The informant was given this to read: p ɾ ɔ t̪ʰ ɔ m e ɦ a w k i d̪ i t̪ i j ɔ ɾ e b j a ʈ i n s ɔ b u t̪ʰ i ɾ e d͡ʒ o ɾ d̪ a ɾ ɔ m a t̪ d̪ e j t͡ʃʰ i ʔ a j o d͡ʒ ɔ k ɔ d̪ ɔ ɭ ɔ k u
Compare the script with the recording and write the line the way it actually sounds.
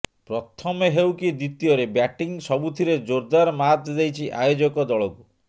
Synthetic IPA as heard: p ɾ ɔ t̪ʰ ɔ m e ɦ e w k i d̪ i t̪ i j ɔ ɾ e b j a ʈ i ŋ s ɔ b u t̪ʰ i ɾ e d͡ʒ o ɾ d̪ a ɾ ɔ m a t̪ d̪ e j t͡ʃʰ i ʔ a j o d͡ʒ ɔ k ɔ d̪ ɔ ɭ ɔ k u